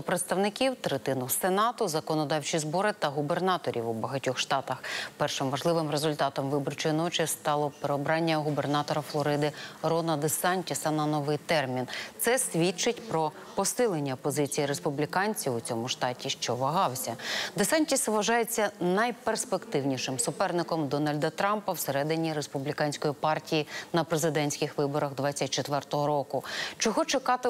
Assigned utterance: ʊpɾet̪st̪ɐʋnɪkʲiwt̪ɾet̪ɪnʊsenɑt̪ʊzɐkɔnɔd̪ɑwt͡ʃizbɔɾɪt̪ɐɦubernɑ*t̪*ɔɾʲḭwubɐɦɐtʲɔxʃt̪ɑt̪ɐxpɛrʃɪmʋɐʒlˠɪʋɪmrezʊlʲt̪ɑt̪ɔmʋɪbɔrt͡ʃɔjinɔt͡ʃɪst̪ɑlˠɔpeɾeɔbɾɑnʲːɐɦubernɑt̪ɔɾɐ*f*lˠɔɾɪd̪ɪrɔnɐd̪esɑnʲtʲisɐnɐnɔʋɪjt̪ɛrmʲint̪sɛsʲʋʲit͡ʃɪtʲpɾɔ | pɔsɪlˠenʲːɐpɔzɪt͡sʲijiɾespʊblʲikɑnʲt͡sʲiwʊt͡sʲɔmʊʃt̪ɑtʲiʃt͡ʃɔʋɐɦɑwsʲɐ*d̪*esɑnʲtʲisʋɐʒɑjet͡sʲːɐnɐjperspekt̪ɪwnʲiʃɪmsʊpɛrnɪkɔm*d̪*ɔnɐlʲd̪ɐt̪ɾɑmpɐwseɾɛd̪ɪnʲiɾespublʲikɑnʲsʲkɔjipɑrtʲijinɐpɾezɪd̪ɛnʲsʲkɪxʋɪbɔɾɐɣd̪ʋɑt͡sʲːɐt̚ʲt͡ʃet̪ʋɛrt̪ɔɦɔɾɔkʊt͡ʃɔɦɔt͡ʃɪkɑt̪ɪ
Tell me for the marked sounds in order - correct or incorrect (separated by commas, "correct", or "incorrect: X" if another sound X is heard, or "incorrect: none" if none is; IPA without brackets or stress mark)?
correct, correct, correct, correct